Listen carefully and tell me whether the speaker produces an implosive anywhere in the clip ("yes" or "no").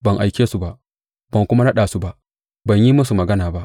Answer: yes